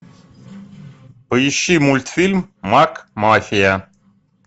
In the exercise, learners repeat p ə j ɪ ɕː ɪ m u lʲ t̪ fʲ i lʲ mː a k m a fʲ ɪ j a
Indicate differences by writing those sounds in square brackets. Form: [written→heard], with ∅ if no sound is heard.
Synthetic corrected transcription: p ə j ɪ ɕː [ɪ→i] m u lʲ t̪ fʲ i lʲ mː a k m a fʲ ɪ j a

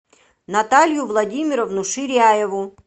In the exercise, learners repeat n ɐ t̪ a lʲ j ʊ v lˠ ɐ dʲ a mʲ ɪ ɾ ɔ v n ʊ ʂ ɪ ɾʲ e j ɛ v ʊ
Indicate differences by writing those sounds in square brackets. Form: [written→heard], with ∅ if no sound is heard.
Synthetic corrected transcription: n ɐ t̪ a lʲ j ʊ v lˠ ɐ dʲ [a→i] mʲ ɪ ɾ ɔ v n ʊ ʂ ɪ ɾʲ [e→a] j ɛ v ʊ

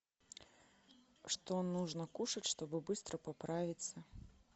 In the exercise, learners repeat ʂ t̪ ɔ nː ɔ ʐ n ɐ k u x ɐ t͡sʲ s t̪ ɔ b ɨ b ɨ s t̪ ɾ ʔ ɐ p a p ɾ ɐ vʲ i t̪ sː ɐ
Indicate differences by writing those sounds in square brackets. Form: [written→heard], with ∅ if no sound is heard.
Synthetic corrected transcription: ʂ t̪ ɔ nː [ɔ→u] ʐ n ɐ k u [x→ʂ] ɐ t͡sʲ [s→ʂ] t̪ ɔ b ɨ b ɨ s t̪ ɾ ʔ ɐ p a p ɾ [ɐ→a] vʲ i t̪ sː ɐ

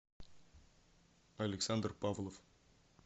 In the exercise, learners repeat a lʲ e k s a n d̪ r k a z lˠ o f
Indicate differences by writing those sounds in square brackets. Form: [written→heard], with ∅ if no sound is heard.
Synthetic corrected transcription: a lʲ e k s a n d̪ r [k→p] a [z→v] lˠ o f

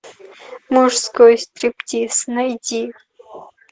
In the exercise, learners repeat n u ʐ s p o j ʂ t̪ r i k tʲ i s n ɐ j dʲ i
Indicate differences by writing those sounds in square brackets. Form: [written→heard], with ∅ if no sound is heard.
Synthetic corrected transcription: [n→m] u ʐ s [p→k] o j [ʂ→s] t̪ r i [k→p] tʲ i s n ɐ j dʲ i

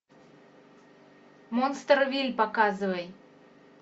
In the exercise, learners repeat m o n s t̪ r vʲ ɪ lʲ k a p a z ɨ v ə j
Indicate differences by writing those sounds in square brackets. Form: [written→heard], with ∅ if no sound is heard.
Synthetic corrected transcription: m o n s t̪ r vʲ [ɪ→i] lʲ [k→p] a [p→k] a z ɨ v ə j

